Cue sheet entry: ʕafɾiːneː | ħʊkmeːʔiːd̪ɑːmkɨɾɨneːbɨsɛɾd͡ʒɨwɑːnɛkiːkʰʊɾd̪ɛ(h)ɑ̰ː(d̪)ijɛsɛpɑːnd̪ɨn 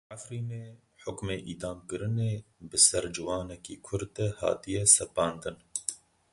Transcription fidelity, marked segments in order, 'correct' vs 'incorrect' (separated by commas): correct, incorrect